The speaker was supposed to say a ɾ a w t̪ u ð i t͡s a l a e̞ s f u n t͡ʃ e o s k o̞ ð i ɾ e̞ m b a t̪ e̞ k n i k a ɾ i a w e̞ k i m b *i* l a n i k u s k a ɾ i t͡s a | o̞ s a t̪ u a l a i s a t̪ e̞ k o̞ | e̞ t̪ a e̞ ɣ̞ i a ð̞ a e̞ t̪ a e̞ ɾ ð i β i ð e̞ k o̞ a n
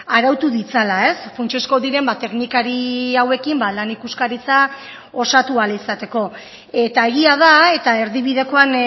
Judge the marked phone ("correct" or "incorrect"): incorrect